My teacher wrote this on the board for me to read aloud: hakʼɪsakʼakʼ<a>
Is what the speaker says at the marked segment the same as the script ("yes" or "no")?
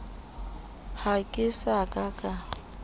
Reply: yes